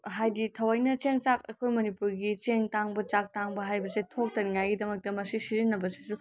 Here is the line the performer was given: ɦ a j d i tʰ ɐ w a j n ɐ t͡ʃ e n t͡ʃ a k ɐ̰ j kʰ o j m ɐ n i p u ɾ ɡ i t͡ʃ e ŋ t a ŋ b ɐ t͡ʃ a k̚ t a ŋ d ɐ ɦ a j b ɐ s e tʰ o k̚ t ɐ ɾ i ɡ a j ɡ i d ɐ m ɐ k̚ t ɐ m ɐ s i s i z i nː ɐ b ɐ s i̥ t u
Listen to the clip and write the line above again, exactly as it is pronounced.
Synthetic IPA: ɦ a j d i tʰ ɐ w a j n ɐ t͡ʃ e ŋ t͡ʃ a k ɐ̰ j kʰ o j m ɐ n i p u ɾ ɡ i t͡ʃ e ŋ t a ŋ b ɐ t͡ʃ a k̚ t a ŋ b ɐ ɦ a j b ɐ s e tʰ o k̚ t ɐ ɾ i ŋ a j ɡ i d ɐ m ɐ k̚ t ɐ m ɐ s i s i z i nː ɐ b ɐ s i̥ s u